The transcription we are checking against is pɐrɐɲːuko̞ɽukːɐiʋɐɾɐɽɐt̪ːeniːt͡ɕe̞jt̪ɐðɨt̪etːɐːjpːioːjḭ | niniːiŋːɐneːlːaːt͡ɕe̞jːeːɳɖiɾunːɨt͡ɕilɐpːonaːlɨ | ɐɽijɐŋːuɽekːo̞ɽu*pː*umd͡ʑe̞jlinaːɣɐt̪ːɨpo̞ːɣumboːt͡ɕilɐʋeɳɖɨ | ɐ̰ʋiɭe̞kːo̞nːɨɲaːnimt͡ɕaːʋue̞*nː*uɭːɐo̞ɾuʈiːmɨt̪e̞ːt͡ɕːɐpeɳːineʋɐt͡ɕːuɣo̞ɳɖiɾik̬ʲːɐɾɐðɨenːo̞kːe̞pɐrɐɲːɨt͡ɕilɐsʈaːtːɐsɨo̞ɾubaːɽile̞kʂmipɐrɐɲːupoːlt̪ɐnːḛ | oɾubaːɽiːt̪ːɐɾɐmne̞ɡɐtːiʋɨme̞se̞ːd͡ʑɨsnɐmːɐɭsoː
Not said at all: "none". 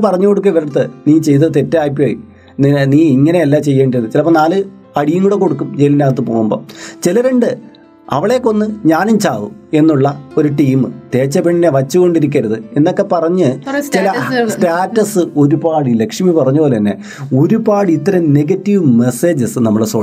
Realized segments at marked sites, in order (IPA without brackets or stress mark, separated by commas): kː, nː